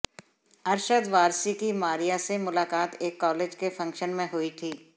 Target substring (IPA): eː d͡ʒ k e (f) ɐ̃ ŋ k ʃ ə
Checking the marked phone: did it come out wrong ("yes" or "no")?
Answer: no